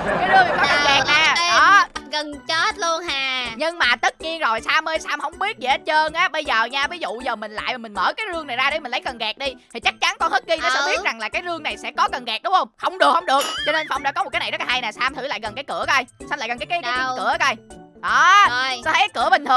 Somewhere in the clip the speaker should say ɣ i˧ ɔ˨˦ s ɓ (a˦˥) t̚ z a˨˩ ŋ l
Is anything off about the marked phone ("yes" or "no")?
yes